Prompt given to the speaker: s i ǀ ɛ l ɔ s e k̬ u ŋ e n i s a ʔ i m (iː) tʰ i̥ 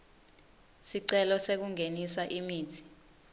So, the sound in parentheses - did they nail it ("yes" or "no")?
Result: yes